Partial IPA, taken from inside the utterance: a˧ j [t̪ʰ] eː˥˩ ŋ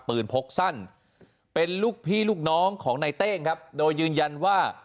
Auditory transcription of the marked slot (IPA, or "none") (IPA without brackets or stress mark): t̪